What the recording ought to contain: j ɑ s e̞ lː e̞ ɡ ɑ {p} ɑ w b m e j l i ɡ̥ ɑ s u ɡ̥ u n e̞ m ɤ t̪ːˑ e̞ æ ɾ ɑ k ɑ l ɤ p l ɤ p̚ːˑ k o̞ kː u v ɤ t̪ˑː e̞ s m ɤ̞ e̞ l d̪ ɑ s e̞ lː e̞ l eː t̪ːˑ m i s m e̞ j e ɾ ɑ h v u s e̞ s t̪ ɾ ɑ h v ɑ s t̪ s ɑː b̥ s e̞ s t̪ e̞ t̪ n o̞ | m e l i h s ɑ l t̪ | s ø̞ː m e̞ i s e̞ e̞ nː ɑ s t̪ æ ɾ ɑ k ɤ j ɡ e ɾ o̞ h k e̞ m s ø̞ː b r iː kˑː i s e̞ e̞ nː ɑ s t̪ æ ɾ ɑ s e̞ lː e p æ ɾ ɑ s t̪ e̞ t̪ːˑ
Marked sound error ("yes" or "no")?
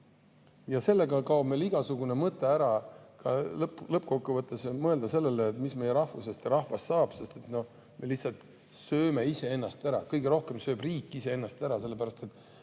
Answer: yes